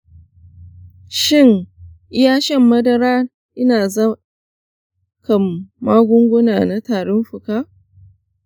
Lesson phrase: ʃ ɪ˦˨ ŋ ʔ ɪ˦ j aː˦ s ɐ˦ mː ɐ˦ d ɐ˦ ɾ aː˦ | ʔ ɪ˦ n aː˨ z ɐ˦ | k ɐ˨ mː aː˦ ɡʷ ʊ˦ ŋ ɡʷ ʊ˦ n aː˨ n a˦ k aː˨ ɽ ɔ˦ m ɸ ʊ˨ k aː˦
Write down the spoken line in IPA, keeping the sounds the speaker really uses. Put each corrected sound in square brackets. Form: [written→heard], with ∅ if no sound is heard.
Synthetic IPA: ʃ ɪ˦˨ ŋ ʔ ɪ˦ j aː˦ [s→ʃ] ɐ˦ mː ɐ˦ d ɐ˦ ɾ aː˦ | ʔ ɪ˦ n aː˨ z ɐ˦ | k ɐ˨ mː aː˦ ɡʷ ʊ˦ ŋ ɡʷ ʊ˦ n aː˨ n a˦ [k→t] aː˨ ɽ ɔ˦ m ɸ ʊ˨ k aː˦